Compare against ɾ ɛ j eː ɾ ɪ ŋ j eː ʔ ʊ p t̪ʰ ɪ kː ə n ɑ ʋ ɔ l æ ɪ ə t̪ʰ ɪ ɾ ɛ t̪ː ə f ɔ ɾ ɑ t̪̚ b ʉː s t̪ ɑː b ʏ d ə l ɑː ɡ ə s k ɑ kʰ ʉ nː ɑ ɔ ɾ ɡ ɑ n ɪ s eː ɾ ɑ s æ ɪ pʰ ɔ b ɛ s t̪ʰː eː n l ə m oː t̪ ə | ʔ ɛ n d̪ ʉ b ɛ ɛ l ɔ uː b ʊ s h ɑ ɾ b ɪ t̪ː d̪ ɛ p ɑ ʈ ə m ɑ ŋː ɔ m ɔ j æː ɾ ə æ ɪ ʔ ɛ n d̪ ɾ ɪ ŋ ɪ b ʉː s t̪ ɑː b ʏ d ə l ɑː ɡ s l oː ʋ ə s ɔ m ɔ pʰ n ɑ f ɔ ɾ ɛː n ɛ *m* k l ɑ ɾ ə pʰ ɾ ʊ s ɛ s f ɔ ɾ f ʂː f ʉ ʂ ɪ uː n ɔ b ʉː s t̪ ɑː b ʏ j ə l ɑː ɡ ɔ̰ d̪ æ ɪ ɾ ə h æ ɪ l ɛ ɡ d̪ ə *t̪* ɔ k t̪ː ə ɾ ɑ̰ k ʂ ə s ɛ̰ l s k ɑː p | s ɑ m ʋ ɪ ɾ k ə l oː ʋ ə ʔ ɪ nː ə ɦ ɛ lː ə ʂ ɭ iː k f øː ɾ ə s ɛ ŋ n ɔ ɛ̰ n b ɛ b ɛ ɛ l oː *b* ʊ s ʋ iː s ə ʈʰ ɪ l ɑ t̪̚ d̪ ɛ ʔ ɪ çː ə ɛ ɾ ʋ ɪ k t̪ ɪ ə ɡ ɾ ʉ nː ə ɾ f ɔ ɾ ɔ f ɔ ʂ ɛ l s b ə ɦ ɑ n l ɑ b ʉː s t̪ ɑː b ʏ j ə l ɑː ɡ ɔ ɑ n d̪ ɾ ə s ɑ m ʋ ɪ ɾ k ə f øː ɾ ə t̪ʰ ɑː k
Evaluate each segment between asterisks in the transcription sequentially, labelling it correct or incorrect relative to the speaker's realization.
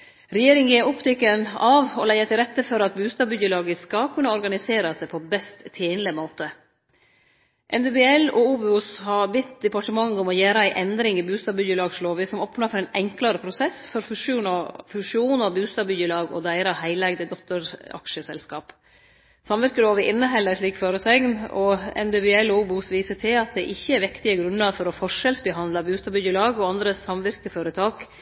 incorrect: ŋ, incorrect: d̪, correct

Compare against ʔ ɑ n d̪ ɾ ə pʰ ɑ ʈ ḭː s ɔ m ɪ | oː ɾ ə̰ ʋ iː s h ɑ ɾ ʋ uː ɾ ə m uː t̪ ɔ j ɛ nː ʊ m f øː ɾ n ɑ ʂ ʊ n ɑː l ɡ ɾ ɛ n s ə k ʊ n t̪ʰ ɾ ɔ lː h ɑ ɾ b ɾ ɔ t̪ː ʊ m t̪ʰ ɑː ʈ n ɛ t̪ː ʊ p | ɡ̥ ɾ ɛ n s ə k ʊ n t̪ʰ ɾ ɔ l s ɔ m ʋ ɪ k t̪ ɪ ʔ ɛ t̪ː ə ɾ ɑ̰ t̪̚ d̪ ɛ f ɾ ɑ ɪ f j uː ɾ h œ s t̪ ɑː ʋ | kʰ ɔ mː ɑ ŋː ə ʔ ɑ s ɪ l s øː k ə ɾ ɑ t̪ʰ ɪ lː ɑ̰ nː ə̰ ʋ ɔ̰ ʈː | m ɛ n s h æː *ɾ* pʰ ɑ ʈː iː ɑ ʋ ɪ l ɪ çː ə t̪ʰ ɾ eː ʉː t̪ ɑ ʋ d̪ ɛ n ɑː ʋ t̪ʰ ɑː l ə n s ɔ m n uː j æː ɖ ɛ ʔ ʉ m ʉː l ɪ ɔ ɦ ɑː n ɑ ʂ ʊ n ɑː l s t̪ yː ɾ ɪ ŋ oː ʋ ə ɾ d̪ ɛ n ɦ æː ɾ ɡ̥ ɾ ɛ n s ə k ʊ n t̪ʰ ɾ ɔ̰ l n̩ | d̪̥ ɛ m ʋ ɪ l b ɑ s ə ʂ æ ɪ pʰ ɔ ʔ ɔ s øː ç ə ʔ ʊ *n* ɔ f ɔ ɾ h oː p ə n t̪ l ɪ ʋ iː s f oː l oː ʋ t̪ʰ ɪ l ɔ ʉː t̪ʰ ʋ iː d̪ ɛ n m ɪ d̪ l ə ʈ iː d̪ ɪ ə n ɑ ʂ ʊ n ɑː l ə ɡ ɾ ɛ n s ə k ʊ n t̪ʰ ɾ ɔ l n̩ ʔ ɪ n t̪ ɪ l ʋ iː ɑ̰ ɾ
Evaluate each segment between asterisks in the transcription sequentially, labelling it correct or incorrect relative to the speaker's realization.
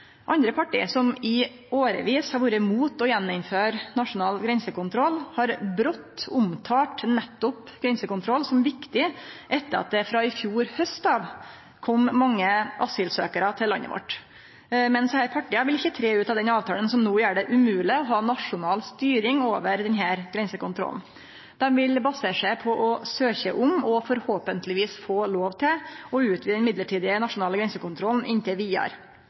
correct, incorrect: m

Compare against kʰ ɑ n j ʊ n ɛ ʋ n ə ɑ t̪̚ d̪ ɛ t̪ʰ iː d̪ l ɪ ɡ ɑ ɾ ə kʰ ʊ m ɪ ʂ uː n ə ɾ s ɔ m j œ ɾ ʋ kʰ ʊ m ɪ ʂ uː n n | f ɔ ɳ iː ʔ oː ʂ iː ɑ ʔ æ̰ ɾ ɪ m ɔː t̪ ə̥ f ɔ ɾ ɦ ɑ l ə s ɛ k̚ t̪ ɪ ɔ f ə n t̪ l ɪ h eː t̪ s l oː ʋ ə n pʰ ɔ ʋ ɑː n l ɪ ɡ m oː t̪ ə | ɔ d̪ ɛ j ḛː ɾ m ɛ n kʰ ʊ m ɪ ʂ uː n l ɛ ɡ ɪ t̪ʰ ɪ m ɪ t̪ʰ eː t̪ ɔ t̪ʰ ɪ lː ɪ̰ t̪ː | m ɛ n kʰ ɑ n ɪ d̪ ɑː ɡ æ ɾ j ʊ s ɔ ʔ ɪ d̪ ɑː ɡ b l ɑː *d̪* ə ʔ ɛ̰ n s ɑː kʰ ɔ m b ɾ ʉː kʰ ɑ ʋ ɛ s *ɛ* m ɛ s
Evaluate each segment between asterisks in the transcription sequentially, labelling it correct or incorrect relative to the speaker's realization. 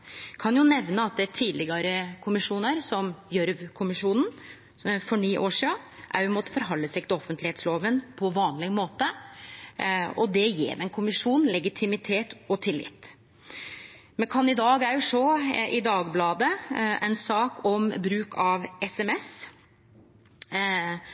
correct, correct

